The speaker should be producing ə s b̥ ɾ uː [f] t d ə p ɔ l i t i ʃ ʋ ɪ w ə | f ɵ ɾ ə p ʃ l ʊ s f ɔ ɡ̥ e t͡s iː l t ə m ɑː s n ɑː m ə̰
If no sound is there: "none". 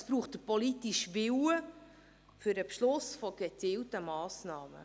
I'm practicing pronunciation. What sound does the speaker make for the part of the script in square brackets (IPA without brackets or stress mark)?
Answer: χ